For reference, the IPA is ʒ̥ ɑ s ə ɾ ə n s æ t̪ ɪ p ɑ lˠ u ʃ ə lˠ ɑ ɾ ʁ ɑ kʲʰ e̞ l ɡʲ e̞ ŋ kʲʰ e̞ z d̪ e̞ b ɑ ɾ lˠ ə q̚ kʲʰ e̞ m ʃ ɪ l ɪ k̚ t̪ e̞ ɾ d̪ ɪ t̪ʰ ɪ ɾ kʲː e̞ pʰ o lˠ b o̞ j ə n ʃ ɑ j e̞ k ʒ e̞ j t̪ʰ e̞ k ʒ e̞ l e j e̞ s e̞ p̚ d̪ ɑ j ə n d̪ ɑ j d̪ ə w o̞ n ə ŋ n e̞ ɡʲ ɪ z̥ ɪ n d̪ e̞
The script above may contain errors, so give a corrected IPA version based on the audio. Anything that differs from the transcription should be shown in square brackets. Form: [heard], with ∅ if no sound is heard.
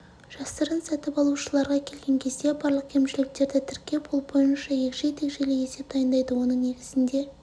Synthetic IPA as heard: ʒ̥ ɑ s ə ɾ ə n s æ t̪ ɪ p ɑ lˠ u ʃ ə lˠ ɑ ɾ ʁ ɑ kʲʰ e̞ l ɡʲ e̞ ŋ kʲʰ e̞ z d̪ e̞ b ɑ ɾ lˠ ə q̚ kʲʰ e̞ m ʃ ɪ l ɪ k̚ t̪ e̞ ɾ d̪ ɪ t̪ʰ ɪ ɾ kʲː e̞ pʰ o lˠ b o̞ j ə n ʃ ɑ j e̞ k ʒ e̞ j t̪ʰ e̞ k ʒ e̞ l e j e̞ s e̞ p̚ d̪ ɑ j ə n d̪ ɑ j d̪ ə w o̞ n ə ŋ n e̞ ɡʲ ɪ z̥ ɪ n d̪ e̞

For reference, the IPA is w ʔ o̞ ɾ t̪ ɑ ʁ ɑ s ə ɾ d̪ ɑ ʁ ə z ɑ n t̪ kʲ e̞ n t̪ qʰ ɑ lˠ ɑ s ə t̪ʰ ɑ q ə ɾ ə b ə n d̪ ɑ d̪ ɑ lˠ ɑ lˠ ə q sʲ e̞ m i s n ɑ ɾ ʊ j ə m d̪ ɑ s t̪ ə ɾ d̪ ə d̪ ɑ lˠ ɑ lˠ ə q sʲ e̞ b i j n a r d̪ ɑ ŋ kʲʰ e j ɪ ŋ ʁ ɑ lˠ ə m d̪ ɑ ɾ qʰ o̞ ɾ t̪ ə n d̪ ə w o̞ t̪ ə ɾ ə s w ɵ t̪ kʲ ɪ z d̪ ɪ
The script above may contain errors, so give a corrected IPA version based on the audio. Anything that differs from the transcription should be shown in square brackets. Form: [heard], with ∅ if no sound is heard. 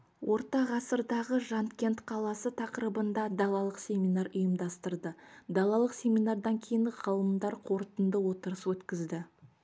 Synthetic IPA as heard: w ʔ o̞ ɾ t̪ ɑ ʁ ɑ s ə ɾ d̪ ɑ ʁ ə [ʒ] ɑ n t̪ kʲ e̞ n t̪ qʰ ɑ lˠ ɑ s ə t̪ʰ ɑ q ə ɾ ə b ə n d̪ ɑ d̪ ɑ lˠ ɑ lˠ ə q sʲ e̞ m i [∅] n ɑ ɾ ʊ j ə m d̪ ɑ s t̪ ə ɾ d̪ ə d̪ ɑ lˠ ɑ lˠ ə q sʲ e̞ [m] i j n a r d̪ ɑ ŋ kʲʰ e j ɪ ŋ ʁ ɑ lˠ ə m d̪ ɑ ɾ qʰ o̞ ɾ t̪ ə n d̪ ə w o̞ t̪ ə ɾ ə s w ɵ t̪ kʲ ɪ z d̪ ɪ

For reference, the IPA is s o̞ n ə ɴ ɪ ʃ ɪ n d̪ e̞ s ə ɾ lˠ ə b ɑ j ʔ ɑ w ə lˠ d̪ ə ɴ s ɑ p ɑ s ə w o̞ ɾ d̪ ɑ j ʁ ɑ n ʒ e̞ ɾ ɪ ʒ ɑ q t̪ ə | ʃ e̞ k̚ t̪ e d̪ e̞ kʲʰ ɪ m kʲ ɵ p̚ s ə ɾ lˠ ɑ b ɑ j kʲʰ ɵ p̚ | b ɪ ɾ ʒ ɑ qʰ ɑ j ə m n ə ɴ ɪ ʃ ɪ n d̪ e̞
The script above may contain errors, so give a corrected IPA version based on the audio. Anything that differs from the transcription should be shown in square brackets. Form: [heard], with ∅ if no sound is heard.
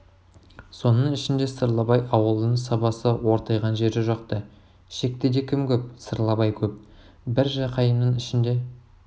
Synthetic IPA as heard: s o̞ n ə ɴ ɪ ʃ ɪ n d̪ e̞ s ə ɾ lˠ [ɑ] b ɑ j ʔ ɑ w ə lˠ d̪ ə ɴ s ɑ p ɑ s ə w o̞ ɾ [t̪] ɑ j ʁ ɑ n ʒ e̞ ɾ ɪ ʒ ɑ q t̪ ə | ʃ e̞ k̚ t̪ e d̪ e̞ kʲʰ ɪ m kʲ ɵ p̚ s ə ɾ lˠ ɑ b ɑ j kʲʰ ɵ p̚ | b ɪ ɾ ʒ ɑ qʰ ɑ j ə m n ə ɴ ɪ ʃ ɪ n d̪ e̞

